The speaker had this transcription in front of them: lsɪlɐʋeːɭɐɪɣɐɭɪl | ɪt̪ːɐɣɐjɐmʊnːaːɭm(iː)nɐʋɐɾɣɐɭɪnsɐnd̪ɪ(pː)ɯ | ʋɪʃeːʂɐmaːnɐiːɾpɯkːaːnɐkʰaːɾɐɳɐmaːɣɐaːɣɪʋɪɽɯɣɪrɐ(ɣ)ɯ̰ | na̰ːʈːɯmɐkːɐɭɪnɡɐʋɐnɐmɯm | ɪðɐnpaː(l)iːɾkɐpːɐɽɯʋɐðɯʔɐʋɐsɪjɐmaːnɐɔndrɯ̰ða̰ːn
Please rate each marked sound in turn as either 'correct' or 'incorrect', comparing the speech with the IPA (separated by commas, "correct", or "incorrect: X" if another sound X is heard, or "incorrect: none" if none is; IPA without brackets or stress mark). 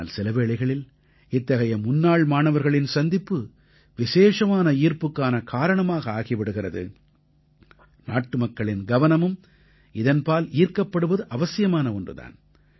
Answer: incorrect: aː, correct, incorrect: ð, correct